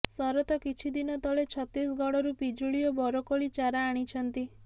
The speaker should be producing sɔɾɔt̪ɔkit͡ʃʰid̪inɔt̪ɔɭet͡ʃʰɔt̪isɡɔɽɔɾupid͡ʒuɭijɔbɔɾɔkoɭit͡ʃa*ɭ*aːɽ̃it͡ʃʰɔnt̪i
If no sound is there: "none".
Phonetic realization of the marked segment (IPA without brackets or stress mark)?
ɾ